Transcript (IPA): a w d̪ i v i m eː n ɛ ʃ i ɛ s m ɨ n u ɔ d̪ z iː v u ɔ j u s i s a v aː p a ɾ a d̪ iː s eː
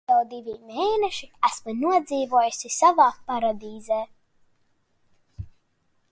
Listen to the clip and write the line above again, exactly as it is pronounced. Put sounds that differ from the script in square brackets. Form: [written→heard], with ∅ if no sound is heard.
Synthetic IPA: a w d̪ i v i m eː n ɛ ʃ i [ɛ→æ] s m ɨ n u ɔ d̪ z iː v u ɔ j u s i s a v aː p a ɾ a d̪ iː [s→z] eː